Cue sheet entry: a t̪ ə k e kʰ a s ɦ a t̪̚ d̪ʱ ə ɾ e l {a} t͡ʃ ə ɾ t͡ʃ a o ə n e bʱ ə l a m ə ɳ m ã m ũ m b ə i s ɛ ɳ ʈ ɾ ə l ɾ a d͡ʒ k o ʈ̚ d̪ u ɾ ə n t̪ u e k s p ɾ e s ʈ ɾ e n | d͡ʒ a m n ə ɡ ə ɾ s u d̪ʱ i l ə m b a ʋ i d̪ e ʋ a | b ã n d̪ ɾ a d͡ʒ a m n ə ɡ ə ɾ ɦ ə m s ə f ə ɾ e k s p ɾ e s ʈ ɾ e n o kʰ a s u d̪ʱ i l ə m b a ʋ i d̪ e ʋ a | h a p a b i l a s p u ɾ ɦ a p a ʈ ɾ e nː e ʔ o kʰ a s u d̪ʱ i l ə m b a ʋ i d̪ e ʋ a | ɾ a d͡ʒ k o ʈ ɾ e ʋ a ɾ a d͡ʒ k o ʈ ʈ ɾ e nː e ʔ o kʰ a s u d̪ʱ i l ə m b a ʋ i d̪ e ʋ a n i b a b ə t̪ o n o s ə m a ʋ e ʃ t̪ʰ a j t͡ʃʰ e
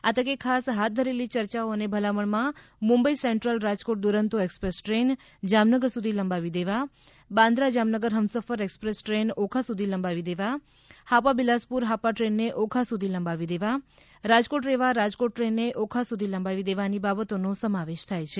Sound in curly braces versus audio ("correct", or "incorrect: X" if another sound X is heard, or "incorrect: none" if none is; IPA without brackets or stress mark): incorrect: i